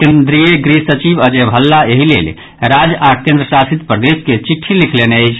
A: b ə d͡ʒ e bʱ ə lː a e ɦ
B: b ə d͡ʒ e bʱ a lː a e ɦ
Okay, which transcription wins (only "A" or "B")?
A